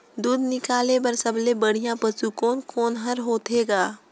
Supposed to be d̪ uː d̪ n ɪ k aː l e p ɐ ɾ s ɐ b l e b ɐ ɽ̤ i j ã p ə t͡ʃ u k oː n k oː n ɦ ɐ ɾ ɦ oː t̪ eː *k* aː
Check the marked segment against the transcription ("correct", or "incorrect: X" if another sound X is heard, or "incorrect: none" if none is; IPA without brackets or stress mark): incorrect: ɡ